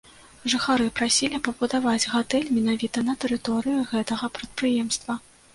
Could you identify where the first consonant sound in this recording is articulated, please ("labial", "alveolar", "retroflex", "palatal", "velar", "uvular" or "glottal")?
retroflex